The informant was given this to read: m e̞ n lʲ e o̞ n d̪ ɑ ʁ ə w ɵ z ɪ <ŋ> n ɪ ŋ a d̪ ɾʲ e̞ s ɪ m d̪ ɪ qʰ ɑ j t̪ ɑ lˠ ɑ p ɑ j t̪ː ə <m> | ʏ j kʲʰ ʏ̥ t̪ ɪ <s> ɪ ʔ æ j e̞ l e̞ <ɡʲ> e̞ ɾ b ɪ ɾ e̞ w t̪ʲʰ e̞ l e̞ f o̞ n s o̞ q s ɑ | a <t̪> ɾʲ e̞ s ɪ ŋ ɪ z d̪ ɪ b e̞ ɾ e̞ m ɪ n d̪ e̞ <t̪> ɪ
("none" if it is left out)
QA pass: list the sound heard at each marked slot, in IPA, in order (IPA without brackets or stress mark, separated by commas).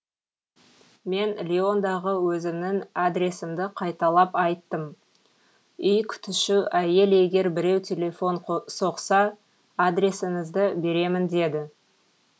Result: m, m, ʃ, ɡʲ, d̪, d̪